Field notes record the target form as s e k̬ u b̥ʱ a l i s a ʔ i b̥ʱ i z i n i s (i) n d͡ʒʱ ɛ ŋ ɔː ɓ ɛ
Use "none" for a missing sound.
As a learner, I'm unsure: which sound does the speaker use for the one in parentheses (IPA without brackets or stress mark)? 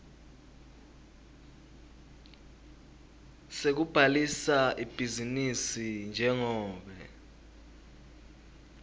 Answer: i